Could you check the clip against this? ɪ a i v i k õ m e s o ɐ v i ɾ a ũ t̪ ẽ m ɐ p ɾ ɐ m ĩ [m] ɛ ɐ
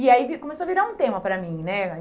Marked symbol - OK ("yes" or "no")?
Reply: no